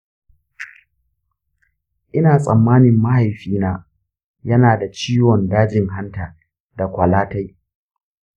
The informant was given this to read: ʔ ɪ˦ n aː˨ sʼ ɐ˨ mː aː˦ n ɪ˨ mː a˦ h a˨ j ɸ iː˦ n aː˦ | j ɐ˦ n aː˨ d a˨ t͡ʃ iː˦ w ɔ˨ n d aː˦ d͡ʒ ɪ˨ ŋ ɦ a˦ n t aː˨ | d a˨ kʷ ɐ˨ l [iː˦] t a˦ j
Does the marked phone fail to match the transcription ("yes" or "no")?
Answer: yes